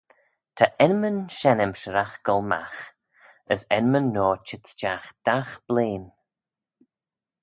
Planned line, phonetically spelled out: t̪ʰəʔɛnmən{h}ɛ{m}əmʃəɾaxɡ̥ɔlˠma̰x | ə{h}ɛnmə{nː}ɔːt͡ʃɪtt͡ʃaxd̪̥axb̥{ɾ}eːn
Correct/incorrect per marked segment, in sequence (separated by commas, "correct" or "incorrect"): incorrect, incorrect, incorrect, correct, incorrect